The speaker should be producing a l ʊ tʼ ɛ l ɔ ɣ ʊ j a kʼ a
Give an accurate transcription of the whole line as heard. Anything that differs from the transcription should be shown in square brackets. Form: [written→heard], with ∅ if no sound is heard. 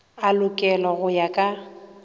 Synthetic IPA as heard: a l ʊ [tʼ→kʼ] ɛ l ɔ ɣ ʊ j a kʼ a